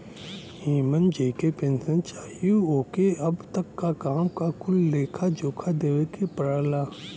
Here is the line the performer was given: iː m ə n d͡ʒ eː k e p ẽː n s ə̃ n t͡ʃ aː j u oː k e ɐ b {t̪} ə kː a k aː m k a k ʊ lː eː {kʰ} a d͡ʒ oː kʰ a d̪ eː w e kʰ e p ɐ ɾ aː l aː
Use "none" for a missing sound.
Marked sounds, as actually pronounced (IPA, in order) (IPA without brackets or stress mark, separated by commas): t̪, kʰ